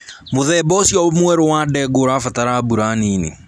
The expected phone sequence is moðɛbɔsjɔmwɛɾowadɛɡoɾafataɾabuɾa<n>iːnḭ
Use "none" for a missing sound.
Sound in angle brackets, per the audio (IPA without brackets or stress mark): n